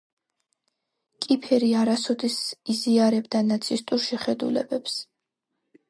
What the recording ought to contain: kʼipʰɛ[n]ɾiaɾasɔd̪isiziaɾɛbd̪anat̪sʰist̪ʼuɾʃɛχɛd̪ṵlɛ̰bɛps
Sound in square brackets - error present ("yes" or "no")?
yes